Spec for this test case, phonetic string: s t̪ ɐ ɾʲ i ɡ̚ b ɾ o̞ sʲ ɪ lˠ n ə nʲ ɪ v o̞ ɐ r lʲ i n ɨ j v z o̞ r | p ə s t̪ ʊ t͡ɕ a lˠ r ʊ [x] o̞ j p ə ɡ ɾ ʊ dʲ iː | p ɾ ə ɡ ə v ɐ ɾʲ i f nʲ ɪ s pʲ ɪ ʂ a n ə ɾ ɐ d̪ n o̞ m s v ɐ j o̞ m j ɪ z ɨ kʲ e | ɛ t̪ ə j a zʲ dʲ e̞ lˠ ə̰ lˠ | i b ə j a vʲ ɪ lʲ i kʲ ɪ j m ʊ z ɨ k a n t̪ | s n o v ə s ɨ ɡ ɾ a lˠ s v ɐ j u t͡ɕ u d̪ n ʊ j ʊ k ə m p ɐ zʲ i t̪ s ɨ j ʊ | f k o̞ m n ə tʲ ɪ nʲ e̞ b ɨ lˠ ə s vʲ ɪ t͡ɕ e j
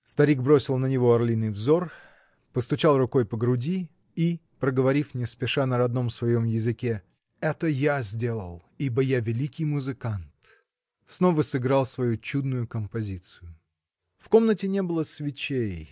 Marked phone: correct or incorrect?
incorrect